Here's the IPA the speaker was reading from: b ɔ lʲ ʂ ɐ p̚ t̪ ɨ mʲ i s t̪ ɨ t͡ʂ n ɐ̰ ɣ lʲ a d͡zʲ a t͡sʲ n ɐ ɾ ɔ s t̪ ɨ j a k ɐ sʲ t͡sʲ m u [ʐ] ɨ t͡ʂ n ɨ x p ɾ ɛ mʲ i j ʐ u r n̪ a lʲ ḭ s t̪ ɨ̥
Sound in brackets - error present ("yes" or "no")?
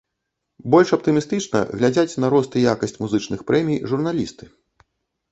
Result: yes